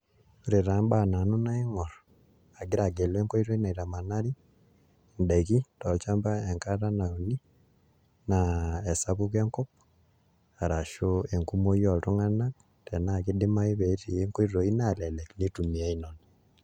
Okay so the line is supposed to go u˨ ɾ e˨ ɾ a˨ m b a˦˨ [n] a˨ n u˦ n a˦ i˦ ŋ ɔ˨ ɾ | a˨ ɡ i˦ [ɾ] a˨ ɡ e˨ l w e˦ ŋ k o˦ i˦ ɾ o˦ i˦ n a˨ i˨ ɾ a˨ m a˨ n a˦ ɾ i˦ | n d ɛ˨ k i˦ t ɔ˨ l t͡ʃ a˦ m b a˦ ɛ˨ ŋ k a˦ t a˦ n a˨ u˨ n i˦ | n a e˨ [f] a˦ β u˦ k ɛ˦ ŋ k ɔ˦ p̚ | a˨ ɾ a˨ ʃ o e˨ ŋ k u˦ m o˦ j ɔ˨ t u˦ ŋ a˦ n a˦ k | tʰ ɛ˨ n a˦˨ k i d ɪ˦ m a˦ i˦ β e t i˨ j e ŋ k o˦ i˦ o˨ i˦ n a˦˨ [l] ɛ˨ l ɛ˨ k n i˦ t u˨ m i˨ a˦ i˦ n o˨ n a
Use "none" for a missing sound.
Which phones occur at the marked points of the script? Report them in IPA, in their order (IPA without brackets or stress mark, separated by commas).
n, ɾ, s, l